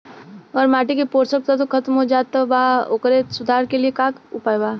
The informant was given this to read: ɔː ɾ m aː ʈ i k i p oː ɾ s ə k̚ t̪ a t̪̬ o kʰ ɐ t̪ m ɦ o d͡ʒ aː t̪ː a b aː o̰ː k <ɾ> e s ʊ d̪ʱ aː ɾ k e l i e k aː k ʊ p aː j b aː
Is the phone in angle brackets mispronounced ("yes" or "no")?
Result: no